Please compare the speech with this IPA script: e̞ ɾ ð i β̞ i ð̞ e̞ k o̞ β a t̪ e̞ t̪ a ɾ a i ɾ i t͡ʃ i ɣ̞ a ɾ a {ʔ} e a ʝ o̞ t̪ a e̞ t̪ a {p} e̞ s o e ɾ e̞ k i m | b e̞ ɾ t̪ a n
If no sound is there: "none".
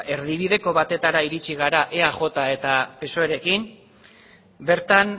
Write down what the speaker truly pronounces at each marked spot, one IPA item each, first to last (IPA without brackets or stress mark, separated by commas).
ʔ, p